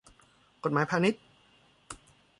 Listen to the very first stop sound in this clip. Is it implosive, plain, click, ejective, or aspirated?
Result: plain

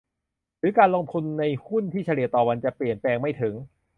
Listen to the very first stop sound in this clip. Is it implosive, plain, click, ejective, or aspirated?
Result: plain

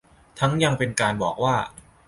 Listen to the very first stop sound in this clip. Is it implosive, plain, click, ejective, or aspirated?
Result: aspirated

